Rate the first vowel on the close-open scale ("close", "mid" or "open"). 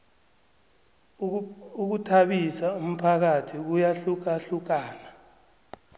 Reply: close